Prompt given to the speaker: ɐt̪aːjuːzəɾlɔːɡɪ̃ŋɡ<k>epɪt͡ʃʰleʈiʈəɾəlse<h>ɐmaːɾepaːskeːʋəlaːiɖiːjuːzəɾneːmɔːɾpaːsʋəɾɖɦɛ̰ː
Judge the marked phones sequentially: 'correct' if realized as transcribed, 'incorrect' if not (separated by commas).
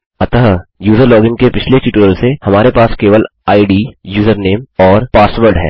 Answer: correct, correct